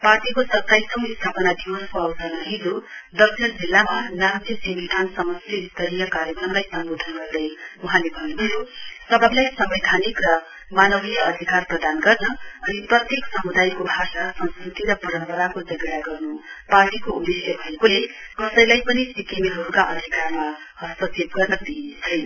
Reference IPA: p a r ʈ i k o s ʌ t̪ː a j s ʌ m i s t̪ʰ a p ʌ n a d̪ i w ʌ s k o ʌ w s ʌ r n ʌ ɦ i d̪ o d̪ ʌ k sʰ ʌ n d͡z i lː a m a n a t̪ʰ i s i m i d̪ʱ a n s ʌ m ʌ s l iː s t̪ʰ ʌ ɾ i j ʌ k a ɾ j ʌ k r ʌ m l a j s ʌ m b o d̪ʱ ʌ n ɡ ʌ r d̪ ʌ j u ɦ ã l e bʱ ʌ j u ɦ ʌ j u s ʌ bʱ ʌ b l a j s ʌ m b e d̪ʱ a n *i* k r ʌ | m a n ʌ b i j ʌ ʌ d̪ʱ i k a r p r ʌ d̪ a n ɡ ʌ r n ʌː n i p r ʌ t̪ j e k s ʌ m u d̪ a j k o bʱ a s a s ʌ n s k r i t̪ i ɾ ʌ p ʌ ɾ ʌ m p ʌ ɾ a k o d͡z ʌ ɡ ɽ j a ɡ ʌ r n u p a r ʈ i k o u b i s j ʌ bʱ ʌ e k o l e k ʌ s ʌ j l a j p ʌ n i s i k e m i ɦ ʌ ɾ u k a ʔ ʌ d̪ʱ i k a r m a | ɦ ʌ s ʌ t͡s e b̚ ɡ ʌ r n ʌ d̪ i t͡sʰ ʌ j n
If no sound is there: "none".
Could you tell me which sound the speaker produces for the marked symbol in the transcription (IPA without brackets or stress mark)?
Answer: i